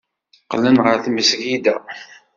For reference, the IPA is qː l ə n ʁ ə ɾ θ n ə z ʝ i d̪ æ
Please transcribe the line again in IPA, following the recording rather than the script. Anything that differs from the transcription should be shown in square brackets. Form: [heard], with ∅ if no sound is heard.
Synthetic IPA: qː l ə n ʁ ə ɾ θ [m] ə [s] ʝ i d̪ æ